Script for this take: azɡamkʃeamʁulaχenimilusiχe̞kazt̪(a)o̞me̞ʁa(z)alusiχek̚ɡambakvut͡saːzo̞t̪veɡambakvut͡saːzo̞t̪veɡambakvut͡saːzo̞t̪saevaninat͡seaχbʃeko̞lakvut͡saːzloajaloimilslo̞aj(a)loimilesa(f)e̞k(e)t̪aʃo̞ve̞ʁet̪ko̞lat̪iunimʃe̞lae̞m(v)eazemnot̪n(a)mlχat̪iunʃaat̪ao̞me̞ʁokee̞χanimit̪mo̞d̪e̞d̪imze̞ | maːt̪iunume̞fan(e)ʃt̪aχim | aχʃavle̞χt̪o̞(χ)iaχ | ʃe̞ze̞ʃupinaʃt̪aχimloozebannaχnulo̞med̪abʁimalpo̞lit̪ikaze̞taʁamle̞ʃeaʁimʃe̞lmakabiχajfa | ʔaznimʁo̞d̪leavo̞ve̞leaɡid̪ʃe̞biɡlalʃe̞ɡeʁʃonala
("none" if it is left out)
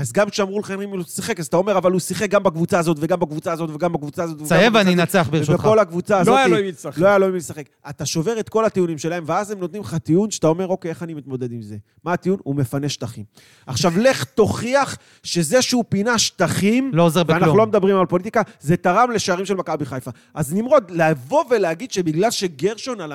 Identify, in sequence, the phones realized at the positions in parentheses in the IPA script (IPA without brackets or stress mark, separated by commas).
a, v, a, χ, a, v, i, e, χ